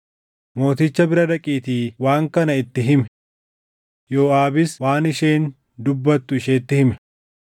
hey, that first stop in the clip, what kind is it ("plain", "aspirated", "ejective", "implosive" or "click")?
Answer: plain